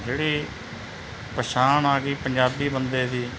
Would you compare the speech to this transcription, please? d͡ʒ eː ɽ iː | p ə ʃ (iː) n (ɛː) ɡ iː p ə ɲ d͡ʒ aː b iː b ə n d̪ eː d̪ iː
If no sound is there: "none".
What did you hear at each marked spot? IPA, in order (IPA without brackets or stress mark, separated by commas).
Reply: aː, aː